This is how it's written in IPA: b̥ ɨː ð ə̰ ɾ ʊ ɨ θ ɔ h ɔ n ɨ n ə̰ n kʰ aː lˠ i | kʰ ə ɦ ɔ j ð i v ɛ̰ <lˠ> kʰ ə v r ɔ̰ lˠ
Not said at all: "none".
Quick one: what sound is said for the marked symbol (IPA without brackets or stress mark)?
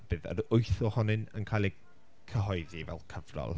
lˠ